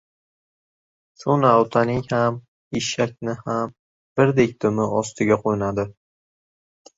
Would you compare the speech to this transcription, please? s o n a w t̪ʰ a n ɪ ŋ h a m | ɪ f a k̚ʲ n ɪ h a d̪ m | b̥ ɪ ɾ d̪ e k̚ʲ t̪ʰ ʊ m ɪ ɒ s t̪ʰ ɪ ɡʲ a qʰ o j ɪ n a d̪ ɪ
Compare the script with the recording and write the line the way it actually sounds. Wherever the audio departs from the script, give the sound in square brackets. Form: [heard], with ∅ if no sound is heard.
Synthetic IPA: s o n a w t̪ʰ a n ɪ ŋ h a m | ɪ [ʃ] a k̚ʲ n ɪ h a [∅] m | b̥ ɪ ɾ d̪ e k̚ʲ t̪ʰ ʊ m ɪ ɒ s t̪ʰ ɪ ɡʲ a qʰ o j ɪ n a d̪ ɪ